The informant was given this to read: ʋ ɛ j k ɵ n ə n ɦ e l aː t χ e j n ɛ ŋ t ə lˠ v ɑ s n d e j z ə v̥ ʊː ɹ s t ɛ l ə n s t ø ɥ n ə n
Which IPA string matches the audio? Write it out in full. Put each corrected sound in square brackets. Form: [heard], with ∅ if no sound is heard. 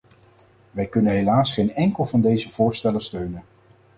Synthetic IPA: ʋ ɛ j k ɵ n ə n ɦ e l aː [s] χ e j n ɛ ŋ [k] ə lˠ v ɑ [∅] n d e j z ə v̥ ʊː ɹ s t ɛ l ə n s t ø ɥ n ə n